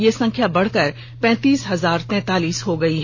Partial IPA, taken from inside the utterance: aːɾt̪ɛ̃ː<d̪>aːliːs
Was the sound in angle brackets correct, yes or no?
no